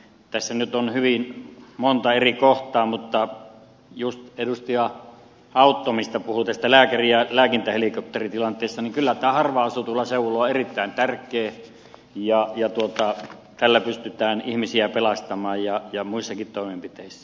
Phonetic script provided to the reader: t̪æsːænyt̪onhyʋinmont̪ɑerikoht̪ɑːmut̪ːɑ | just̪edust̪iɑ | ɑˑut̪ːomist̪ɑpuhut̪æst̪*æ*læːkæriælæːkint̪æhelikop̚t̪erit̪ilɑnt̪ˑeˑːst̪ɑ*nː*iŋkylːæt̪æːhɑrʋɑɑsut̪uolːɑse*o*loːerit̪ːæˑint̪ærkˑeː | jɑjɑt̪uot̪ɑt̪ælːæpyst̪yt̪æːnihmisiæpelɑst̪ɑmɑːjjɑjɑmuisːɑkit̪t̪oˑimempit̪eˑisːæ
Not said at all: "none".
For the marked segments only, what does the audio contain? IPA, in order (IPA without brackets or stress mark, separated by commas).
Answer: æ, n, u